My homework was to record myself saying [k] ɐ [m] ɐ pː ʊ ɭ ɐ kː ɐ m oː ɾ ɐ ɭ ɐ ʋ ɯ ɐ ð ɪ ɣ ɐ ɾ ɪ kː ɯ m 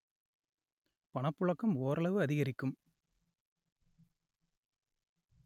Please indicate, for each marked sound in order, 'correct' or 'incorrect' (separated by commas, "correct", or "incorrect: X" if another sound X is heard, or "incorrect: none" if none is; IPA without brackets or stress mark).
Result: incorrect: p, incorrect: ɳ